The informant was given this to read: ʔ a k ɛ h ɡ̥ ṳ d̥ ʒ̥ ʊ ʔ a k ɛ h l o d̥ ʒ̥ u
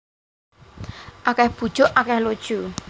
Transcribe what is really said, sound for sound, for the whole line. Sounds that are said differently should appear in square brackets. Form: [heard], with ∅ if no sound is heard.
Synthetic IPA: ʔ a k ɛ h [b̥] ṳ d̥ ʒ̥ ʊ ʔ a k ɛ h l o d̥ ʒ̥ u